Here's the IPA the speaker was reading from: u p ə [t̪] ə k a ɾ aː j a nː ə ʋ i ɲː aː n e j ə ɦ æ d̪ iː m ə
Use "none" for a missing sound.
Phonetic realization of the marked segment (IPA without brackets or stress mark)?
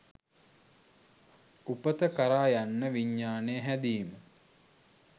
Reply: t̪